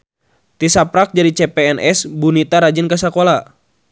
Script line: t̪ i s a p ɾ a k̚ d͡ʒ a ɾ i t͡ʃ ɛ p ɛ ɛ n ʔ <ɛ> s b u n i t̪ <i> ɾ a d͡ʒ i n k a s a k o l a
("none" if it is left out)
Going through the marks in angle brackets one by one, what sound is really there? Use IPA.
ɛ, a

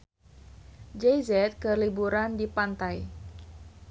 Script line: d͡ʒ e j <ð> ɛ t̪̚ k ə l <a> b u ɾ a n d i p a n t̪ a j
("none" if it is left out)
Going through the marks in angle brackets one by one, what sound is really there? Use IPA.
z, i

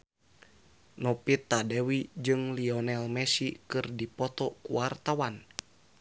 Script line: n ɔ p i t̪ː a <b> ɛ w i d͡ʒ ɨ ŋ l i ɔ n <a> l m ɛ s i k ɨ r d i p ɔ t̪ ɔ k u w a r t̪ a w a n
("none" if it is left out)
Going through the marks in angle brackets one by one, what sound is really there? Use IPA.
d, ɛ

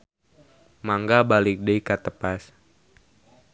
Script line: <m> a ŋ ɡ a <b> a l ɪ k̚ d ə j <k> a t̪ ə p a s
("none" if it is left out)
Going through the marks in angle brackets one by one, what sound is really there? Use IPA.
m, b, k

